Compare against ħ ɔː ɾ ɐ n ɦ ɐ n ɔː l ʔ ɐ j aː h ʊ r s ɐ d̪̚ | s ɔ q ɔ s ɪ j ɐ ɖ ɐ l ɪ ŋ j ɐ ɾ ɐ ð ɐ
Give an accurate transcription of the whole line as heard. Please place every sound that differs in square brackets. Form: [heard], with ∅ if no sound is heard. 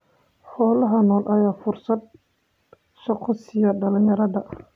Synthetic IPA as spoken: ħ ɔː [l] ɐ [∅] ɦ ɐ n ɔː l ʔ ɐ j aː [f] ʊ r s ɐ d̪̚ | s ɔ q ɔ s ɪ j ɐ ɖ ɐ l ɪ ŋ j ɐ ɾ ɐ ð ɐ